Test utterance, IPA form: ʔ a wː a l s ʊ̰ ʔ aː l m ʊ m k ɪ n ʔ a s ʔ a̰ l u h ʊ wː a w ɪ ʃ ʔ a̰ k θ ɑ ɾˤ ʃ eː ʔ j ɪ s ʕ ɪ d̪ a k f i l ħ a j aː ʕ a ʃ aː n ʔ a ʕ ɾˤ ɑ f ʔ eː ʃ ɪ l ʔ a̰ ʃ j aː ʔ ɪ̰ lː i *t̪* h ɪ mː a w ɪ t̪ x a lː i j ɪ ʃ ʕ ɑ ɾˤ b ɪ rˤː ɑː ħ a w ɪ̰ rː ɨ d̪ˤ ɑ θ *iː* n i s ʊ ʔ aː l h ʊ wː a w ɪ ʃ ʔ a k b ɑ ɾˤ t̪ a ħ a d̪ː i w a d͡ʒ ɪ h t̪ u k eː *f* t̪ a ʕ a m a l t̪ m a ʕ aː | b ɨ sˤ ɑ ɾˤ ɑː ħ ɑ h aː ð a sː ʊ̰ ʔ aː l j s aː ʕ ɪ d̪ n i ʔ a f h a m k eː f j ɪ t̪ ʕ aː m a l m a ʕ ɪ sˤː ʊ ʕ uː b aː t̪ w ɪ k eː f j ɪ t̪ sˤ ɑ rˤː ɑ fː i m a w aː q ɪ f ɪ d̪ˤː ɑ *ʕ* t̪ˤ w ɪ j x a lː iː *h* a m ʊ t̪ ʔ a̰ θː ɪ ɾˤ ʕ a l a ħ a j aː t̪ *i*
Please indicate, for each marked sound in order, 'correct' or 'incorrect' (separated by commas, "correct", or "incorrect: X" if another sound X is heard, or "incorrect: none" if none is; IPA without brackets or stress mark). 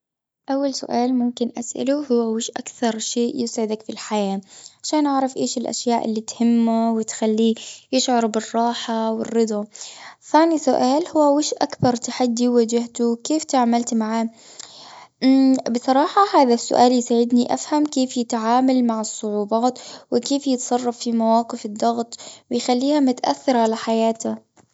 correct, incorrect: aː, correct, incorrect: ɣ, correct, incorrect: a